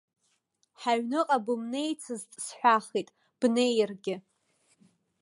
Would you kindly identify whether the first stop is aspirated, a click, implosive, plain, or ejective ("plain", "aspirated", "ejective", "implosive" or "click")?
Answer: ejective